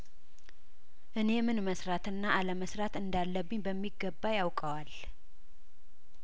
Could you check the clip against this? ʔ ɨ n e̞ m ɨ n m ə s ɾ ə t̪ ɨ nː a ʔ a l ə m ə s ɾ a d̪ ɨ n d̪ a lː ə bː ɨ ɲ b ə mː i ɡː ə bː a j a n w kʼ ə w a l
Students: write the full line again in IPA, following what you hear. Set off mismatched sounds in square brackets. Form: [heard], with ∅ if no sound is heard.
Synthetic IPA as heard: ʔ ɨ n e̞ m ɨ n m ə s ɾ [a] t̪ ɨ nː a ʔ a l ə m ə s ɾ a [t̪] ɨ n d̪ a lː ə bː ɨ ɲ b ə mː i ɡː ə bː a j a [∅] w kʼ ə w a l